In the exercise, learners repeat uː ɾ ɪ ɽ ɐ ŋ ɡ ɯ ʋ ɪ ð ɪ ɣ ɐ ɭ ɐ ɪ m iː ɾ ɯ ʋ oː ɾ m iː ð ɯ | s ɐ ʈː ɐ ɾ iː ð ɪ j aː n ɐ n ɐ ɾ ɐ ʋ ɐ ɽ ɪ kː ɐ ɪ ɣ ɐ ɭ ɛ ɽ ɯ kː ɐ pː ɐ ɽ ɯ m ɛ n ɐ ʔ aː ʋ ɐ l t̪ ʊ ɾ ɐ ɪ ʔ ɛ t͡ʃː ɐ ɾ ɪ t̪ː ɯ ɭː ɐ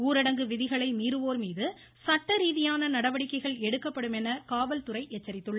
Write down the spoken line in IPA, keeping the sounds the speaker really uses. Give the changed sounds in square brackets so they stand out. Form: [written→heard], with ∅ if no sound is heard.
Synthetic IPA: uː ɾ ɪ ɽ ɐ ŋ ɡ ɯ ʋ ɪ ð ɪ ɣ ɐ ɭ ɐ ɪ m iː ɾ ɯ ʋ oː ɾ m iː ð ɯ | s ɐ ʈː ɐ ɾ iː ð ɪ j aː n ɐ n ɐ [ɾ→ɽ] ɐ ʋ ɐ ɽ ɪ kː ɐ ɪ ɣ ɐ ɭ ɛ ɽ ɯ kː ɐ pː ɐ ɽ ɯ m ɛ n ɐ [ʔ→k] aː ʋ ɐ l t̪ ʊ ɾ ɐ ɪ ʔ ɛ t͡ʃː ɐ ɾ ɪ t̪ː ɯ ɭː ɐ